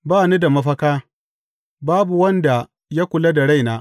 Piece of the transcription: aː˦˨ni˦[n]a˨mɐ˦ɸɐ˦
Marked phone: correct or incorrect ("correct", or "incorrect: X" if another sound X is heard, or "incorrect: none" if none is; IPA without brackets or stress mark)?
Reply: incorrect: d